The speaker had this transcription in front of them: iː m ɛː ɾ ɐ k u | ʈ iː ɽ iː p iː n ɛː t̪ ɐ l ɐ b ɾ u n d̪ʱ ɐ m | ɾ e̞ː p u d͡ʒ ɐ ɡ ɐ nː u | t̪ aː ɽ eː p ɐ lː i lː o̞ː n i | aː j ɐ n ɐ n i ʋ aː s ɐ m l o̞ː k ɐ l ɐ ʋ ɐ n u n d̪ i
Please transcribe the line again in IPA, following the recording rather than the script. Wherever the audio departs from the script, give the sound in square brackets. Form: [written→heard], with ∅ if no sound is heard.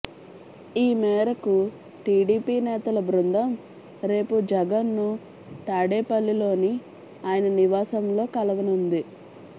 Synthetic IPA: iː m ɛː ɾ ɐ k u | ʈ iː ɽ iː p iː n ɛː t̪ ɐ l ɐ b ɾ u n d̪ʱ ɐ m | ɾ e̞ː p u d͡ʒ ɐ ɡ ɐ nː u | t̪ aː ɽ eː p ɐ lː i [lː→l] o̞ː n i | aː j ɐ n ɐ n i ʋ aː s ɐ m l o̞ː k ɐ l ɐ ʋ ɐ n u n d̪ i

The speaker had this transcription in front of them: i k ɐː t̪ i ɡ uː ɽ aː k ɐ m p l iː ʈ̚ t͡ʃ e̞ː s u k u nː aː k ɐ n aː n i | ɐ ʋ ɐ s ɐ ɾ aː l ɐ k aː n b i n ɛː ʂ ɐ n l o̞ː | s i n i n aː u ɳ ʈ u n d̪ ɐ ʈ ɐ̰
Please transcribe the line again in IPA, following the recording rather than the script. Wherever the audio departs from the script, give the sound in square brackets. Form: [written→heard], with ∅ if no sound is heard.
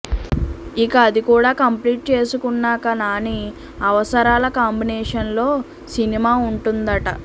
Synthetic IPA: i k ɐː [t̪→d̪] i [ɡ→k] uː ɽ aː k ɐ m p l iː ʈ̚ t͡ʃ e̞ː s u k u nː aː k ɐ n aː n i | ɐ ʋ ɐ s ɐ ɾ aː l ɐ k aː [n→m] b i n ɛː ʂ ɐ n l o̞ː | s i n i [n→m] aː u ɳ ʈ u n d̪ ɐ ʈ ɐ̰

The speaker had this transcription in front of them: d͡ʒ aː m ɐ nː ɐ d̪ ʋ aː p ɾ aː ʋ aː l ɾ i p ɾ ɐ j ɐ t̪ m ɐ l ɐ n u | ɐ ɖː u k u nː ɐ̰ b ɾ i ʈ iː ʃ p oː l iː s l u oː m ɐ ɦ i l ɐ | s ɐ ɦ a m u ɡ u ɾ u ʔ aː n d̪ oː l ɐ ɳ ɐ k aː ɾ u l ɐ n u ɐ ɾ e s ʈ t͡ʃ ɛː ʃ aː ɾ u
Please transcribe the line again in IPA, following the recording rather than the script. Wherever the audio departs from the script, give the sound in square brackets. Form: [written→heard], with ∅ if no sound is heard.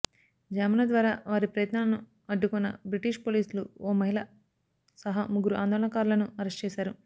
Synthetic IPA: d͡ʒ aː m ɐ [nː→n] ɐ d̪ ʋ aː [p→∅] ɾ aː ʋ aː [l→∅] ɾ i p ɾ ɐ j ɐ t̪ [m→n] ɐ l ɐ n u | ɐ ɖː u k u nː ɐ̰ b ɾ i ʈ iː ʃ p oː l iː s l u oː m ɐ ɦ i l ɐ | s ɐ ɦ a m u ɡ u ɾ u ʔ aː n d̪ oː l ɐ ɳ ɐ k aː ɾ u l ɐ n u ɐ ɾ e s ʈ t͡ʃ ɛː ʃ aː ɾ u

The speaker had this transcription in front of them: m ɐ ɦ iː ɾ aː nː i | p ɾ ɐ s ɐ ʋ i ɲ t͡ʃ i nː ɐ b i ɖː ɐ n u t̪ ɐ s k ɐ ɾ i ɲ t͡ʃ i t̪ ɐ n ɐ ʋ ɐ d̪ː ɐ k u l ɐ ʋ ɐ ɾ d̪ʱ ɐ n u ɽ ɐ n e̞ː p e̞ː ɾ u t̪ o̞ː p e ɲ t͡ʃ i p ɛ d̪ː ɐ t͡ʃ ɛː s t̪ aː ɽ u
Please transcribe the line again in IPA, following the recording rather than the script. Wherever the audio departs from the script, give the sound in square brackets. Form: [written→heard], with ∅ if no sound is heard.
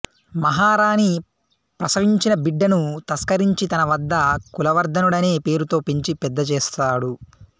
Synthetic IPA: m ɐ ɦ [iː→aː] ɾ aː [nː→n] i | p ɾ ɐ s ɐ ʋ i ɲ t͡ʃ i [nː→n] ɐ b i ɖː ɐ n u t̪ ɐ s k ɐ ɾ i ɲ t͡ʃ i t̪ ɐ n ɐ ʋ ɐ d̪ː ɐ k u l ɐ ʋ ɐ ɾ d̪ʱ ɐ n u ɽ ɐ n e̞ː p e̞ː ɾ u t̪ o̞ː p e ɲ t͡ʃ i p ɛ d̪ː ɐ t͡ʃ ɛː s t̪ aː ɽ u

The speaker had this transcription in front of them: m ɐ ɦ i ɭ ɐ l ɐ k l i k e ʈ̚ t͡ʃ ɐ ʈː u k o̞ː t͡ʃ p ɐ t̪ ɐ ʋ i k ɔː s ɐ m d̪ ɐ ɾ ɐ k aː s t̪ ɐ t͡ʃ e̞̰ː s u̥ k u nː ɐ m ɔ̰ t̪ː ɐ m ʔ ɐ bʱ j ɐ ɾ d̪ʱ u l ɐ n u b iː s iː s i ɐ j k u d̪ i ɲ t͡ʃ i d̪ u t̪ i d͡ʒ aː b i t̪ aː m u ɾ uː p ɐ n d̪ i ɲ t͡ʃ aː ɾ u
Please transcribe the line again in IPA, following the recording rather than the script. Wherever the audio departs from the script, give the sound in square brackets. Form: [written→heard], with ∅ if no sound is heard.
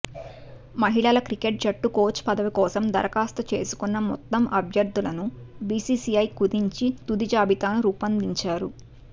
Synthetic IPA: m ɐ ɦ i ɭ ɐ l ɐ k [l→ɾ] i k e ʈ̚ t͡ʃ ɐ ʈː u k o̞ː t͡ʃ p ɐ [t̪→d̪] ɐ ʋ i k ɔː s ɐ m d̪ ɐ ɾ ɐ k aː s t̪ ɐ t͡ʃ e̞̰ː s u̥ k u nː ɐ m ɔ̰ t̪ː ɐ m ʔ ɐ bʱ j ɐ ɾ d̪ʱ u l ɐ n u b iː s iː s i ɐ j k u d̪ i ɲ t͡ʃ i [d̪→t̪] u [t̪→d̪] i d͡ʒ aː b i t̪ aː [m→n] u ɾ uː p ɐ n d̪ i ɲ t͡ʃ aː ɾ u

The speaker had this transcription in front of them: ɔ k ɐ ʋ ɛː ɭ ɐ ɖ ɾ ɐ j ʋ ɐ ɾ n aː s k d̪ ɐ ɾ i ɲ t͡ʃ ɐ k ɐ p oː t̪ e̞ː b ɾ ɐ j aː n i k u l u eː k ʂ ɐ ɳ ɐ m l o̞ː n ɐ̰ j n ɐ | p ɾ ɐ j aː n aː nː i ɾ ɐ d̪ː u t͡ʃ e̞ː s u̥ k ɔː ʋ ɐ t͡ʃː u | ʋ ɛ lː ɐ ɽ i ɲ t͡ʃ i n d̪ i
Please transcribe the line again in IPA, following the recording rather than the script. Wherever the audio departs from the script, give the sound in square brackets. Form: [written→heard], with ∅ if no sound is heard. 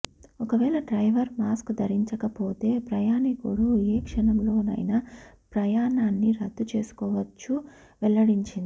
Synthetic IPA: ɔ k ɐ ʋ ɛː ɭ ɐ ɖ ɾ ɐ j ʋ ɐ ɾ [n→m] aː s k d̪ ɐ ɾ i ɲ t͡ʃ ɐ k ɐ p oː t̪ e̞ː [b→p] ɾ ɐ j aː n i k u [l→ɽ] u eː k ʂ ɐ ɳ ɐ m l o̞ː n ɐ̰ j n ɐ | p ɾ ɐ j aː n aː nː i ɾ ɐ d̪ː u t͡ʃ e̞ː s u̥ k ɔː ʋ ɐ t͡ʃː u | ʋ ɛ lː ɐ ɽ i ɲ t͡ʃ i n d̪ i

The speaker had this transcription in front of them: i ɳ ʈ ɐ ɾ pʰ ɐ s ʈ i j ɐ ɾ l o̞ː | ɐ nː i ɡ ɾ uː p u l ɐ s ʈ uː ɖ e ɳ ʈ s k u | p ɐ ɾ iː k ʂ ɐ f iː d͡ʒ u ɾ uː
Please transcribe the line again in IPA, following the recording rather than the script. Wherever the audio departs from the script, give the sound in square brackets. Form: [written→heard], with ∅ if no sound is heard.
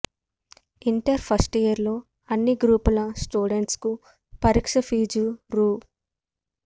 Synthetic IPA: i ɳ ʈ ɐ ɾ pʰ ɐ s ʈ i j ɐ ɾ l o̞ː | ɐ nː i ɡ ɾ uː p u l ɐ s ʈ uː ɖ e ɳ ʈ s k u | p ɐ ɾ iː k ʂ ɐ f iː d͡ʒ u ɾ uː

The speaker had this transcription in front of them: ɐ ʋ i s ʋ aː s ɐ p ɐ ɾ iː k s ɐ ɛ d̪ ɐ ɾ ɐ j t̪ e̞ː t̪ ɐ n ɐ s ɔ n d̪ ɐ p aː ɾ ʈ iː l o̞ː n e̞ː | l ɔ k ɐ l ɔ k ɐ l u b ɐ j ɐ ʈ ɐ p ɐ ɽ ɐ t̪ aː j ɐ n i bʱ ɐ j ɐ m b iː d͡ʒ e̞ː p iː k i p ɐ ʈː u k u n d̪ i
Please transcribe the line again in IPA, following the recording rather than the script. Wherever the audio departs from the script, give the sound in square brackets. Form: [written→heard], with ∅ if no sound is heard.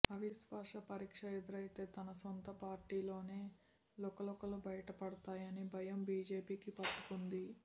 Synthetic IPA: ɐ ʋ i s ʋ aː [s→ʂ] ɐ p ɐ ɾ iː k [s→ʂ] ɐ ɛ d̪ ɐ ɾ ɐ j t̪ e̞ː t̪ ɐ n ɐ s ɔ n [d̪→t̪] ɐ p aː ɾ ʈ iː l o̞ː n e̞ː | l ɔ k ɐ l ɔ k ɐ l u b ɐ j ɐ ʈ ɐ p ɐ ɽ ɐ t̪ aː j ɐ n i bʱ ɐ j ɐ m b iː d͡ʒ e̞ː p iː k i p ɐ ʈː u k u n d̪ i

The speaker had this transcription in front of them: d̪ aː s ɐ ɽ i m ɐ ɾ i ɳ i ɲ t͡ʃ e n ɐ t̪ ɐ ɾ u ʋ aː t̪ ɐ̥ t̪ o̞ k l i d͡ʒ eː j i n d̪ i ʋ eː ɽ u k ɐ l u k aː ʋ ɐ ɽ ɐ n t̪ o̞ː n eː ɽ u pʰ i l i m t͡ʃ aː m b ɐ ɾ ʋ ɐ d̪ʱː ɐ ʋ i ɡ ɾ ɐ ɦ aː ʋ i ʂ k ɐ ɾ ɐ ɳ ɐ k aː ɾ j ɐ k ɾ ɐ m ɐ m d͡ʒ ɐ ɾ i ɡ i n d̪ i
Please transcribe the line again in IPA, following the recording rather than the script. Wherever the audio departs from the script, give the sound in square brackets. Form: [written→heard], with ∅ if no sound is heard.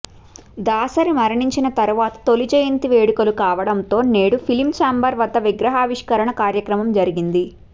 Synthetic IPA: d̪ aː s ɐ [ɽ→ɾ] i m ɐ ɾ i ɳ i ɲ t͡ʃ [e→i] n ɐ t̪ ɐ ɾ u ʋ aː t̪ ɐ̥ t̪ o̞ [k→∅] l i d͡ʒ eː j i n [d̪→t̪] i ʋ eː ɽ u k ɐ l u k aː ʋ ɐ ɽ ɐ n t̪ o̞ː n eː ɽ u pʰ i l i m t͡ʃ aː m b ɐ ɾ ʋ ɐ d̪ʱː ɐ ʋ i ɡ ɾ ɐ ɦ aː ʋ i ʂ k ɐ ɾ ɐ ɳ ɐ k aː ɾ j ɐ k ɾ ɐ m ɐ m d͡ʒ ɐ ɾ i ɡ i n d̪ i

